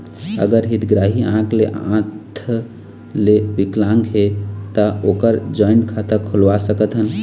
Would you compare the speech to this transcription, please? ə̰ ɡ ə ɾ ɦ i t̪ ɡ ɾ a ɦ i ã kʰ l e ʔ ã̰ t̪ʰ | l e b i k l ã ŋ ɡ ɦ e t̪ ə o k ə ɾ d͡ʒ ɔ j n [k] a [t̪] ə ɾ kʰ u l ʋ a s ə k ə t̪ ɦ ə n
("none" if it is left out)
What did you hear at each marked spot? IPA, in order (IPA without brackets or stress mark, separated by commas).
kʰ, t̪